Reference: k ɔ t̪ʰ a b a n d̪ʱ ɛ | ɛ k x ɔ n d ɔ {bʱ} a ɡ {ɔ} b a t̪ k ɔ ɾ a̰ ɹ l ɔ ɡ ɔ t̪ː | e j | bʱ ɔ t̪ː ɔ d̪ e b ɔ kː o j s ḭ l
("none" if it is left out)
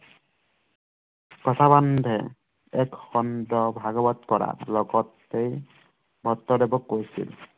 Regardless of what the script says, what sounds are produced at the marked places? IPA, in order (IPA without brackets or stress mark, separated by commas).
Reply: bʱ, ɔ